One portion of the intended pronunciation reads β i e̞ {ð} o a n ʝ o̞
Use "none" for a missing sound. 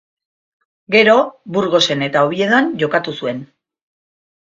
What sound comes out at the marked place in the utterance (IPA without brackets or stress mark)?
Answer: ð